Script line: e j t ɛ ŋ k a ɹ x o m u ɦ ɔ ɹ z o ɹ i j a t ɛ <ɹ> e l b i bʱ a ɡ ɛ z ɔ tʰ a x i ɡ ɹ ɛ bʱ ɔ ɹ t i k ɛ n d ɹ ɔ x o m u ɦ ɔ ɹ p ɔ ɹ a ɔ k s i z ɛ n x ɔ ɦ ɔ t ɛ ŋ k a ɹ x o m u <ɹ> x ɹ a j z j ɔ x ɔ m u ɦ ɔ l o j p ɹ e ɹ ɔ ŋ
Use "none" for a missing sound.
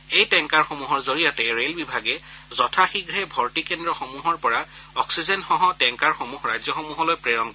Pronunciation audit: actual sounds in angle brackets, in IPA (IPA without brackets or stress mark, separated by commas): ɹ, none